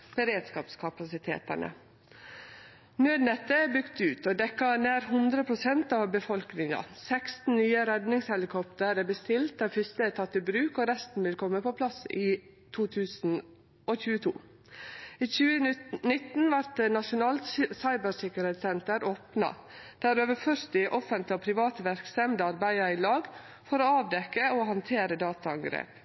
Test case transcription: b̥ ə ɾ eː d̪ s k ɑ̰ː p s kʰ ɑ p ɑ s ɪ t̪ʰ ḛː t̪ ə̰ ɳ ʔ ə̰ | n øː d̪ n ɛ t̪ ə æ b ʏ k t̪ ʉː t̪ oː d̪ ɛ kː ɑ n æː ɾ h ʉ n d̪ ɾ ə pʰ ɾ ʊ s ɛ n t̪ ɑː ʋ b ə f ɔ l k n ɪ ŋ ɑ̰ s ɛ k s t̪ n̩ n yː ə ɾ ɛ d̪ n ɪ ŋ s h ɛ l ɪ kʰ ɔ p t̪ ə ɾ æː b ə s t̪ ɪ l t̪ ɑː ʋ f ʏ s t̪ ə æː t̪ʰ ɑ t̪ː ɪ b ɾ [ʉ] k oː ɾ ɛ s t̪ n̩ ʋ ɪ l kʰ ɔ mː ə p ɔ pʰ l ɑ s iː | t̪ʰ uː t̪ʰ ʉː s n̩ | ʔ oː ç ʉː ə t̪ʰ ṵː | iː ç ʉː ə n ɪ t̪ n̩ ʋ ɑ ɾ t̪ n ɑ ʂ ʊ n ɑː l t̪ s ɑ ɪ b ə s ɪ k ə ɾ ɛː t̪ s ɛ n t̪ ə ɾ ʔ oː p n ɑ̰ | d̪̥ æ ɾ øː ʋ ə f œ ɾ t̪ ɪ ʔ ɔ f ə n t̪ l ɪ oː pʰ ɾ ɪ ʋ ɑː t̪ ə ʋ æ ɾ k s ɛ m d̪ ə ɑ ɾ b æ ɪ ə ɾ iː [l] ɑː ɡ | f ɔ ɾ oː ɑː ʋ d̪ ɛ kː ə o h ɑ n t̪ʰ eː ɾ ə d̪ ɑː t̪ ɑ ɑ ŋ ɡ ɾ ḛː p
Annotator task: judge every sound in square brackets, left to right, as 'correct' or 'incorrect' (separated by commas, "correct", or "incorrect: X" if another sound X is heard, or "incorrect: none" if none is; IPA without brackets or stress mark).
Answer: incorrect: ʉː, correct